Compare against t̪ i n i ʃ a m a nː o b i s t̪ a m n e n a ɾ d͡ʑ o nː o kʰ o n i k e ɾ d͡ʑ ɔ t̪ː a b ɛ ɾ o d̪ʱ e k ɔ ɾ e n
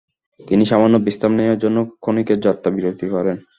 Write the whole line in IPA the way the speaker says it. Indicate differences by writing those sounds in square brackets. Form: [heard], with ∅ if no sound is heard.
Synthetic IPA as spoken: t̪ i n i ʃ a m a nː o b i s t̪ a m n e [∅] a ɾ d͡ʑ o nː o kʰ o n i k e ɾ d͡ʑ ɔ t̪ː a b [i] ɾ o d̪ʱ [i] k ɔ ɾ e n